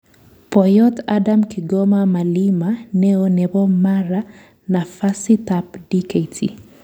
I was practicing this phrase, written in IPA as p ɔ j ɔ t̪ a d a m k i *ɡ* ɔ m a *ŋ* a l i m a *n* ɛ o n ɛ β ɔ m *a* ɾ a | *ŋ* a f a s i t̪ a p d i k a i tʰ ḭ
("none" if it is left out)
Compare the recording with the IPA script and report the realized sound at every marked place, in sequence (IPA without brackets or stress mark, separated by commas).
ɡ, m, n, a, n